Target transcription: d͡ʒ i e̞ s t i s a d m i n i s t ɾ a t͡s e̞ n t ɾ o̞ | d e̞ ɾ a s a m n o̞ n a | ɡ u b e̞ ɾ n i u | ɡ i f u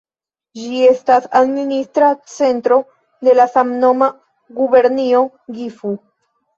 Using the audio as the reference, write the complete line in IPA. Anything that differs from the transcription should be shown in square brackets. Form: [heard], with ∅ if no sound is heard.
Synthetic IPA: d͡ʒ i e̞ s t [a] s a d m i n i s t ɾ a t͡s e̞ n t ɾ o̞ | d e̞ [l] a s a m n o̞ [m] a | ɡ u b e̞ ɾ n i [o] | ɡ i f u